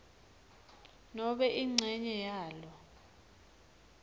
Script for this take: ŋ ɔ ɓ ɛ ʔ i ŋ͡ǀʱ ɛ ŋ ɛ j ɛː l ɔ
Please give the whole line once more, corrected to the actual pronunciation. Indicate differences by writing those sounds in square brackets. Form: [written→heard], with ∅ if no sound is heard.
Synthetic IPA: [ŋ→n] ɔ ɓ ɛ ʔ i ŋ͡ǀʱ ɛ [ŋ→ɲ] ɛ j [ɛː→aː] l ɔ